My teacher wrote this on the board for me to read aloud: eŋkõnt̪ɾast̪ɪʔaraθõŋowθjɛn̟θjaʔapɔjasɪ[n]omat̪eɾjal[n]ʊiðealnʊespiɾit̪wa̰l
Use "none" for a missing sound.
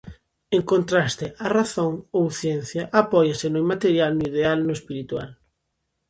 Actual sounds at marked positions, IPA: n, n

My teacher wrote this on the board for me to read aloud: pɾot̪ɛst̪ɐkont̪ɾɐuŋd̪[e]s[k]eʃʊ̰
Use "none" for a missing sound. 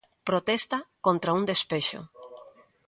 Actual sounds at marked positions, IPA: e, p

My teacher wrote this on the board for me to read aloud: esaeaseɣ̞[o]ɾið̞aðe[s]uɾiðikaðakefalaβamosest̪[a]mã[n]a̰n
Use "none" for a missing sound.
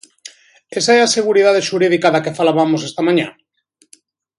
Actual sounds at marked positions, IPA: u, ʃ, a, ɲ

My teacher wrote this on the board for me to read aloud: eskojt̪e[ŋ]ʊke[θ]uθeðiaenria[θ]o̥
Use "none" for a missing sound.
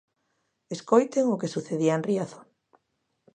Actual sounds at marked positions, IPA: ŋ, s, θ

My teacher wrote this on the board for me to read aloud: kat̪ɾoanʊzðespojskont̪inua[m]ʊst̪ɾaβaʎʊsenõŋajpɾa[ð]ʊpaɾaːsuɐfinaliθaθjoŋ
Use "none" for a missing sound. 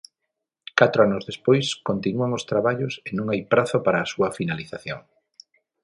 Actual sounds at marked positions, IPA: ŋ, θ

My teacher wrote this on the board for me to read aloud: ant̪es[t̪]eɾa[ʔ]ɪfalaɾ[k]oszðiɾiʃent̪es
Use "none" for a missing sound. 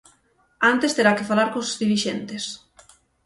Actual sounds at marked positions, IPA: t̪, k, k

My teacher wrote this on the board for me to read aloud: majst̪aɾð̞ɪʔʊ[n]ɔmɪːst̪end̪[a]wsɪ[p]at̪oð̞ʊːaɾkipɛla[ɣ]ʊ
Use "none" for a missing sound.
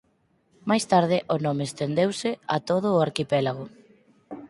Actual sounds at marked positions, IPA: n, e, none, ɣ

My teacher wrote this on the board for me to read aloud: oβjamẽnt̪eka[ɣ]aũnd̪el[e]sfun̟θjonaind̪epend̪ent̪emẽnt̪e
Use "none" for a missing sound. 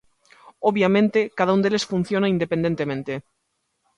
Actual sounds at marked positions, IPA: ð, e

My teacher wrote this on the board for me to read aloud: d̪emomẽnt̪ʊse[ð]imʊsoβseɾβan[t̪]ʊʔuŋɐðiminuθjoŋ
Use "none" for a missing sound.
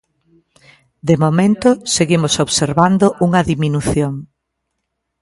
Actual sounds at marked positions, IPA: ɣ, d̪

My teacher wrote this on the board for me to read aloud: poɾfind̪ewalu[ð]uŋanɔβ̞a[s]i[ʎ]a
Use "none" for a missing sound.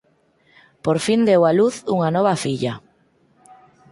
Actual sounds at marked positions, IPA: θ, f, ʎ

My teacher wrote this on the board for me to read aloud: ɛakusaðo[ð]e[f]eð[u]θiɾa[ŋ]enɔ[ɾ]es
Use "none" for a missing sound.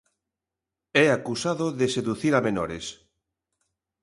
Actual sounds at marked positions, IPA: ð, s, u, m, ɾ

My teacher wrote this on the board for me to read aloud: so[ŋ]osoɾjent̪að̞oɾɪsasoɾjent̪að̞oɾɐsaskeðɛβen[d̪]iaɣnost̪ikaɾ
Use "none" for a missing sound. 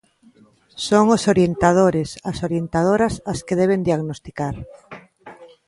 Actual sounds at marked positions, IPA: ŋ, d̪

